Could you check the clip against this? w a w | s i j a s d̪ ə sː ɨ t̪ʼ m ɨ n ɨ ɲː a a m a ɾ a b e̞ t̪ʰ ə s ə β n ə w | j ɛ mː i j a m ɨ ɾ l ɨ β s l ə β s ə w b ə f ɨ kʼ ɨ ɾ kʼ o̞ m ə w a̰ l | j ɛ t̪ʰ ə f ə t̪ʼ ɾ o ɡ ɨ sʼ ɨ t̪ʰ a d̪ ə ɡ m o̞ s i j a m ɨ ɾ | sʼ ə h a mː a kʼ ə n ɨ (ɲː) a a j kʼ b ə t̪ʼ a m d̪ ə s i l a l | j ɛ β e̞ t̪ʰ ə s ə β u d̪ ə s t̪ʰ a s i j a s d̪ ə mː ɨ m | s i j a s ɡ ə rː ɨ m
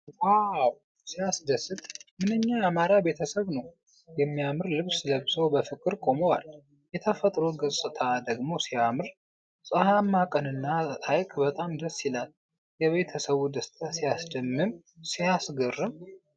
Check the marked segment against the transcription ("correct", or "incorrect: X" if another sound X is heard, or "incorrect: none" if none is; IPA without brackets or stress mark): incorrect: nː